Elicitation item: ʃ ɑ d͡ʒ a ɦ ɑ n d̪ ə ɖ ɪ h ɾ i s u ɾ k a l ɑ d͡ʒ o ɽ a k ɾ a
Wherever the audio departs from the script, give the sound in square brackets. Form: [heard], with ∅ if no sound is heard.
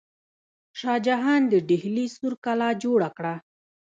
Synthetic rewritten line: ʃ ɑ d͡ʒ a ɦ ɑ n d̪ ə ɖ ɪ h [l] i s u ɾ k a l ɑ d͡ʒ o ɽ a k [ɽ] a